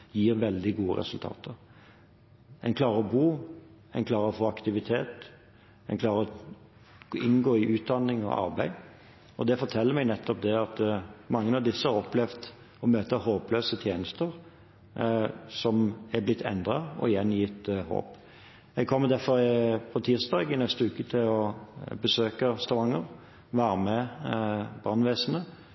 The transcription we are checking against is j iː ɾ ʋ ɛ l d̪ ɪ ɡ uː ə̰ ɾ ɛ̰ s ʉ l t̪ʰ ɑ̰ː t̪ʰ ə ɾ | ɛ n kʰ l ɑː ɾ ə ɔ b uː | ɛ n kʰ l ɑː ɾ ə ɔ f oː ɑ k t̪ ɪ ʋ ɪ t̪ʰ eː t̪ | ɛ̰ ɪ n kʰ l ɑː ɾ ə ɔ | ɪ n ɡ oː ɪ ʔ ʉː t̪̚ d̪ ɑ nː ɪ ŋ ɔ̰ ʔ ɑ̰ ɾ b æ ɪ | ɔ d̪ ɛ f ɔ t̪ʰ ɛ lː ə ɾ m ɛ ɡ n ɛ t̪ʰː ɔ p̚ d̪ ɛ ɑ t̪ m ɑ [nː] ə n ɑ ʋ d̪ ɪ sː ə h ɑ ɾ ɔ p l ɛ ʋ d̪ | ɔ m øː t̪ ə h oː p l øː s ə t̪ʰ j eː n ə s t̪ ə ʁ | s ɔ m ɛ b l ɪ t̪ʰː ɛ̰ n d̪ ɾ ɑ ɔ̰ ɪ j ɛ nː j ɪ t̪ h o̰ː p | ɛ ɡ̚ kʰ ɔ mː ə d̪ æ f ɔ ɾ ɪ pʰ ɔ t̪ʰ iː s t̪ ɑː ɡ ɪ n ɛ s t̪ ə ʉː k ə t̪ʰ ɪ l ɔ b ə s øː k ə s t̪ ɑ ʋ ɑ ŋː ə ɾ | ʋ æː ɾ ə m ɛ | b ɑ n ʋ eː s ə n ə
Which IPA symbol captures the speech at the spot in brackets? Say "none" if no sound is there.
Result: ŋː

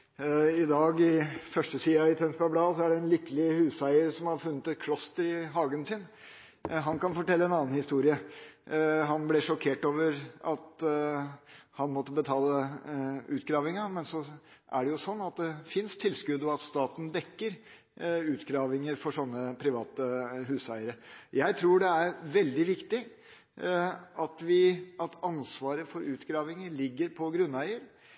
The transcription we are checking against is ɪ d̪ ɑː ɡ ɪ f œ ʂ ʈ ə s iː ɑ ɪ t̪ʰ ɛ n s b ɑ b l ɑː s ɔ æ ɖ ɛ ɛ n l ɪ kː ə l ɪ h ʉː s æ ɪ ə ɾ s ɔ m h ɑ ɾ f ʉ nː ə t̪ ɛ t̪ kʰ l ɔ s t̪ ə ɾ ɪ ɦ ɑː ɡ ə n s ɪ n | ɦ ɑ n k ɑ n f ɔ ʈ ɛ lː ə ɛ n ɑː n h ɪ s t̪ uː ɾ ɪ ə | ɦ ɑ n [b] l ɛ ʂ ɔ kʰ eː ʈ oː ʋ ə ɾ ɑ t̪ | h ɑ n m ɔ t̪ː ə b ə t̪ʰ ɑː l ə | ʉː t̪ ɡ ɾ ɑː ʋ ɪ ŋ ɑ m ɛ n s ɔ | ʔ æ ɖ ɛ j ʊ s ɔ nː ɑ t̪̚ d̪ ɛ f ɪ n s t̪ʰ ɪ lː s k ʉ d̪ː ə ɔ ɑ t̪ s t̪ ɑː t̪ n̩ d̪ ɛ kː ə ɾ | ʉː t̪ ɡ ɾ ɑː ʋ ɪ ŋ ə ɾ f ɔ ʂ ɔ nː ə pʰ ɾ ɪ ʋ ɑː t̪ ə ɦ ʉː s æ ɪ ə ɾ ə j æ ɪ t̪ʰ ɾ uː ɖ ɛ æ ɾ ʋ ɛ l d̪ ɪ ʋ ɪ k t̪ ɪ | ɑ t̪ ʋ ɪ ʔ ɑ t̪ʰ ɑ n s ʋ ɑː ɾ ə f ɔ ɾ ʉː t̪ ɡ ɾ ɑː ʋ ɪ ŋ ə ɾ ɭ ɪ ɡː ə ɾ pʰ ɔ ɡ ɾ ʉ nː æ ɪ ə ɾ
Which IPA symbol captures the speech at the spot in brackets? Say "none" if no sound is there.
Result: b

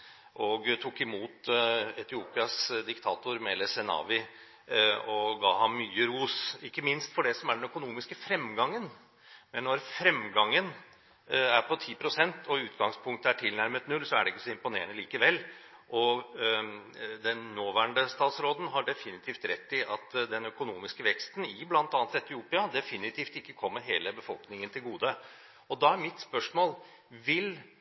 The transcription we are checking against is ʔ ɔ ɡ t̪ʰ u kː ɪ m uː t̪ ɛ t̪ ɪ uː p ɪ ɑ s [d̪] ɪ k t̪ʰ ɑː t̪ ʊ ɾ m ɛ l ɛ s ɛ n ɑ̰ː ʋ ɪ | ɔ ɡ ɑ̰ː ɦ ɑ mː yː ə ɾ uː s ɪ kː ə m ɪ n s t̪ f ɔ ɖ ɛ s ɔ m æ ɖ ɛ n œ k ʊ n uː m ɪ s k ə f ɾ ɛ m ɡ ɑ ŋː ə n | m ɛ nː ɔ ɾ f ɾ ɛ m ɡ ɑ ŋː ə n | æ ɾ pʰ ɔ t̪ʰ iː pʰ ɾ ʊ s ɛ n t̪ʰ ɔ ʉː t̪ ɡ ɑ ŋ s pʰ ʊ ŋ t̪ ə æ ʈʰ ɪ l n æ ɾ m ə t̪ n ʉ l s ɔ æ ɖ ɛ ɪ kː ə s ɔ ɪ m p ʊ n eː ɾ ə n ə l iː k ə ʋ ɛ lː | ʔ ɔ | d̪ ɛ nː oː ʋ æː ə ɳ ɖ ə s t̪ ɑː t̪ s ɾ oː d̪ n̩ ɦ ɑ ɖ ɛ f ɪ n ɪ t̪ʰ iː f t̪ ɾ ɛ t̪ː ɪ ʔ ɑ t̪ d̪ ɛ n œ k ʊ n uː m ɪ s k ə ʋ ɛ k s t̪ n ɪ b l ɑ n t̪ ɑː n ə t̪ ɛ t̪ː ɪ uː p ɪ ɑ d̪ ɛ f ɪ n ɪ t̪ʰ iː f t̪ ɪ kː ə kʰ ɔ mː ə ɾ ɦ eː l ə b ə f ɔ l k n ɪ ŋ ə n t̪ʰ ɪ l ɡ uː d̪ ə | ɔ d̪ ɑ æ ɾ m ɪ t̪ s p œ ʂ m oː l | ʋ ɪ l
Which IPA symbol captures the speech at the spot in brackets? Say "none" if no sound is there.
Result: d̪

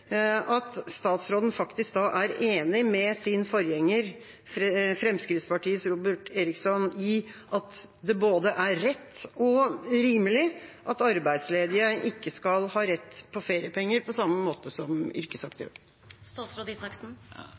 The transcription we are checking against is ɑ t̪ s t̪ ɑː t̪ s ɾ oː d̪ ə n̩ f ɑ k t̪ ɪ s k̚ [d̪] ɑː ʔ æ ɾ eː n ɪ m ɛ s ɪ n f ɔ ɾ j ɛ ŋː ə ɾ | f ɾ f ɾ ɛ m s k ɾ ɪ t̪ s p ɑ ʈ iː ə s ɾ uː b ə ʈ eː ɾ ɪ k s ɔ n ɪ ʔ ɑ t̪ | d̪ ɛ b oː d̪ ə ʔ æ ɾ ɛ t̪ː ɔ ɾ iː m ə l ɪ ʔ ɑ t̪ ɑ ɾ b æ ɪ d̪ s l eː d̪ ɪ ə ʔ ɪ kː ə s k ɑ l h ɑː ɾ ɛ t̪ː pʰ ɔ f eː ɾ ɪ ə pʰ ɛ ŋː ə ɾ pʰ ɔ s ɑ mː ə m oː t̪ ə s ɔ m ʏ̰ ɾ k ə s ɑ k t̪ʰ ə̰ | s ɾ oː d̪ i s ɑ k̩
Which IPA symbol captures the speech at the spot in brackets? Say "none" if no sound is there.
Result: d̪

